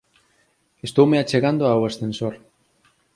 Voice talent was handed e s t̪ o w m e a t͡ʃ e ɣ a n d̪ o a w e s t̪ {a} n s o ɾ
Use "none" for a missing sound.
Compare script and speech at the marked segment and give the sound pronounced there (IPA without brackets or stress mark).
e